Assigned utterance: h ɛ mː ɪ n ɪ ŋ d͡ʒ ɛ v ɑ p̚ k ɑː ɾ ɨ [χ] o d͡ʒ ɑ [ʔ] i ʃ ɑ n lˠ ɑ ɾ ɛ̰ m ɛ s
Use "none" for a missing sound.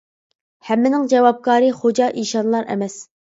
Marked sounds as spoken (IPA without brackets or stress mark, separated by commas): χ, ʔ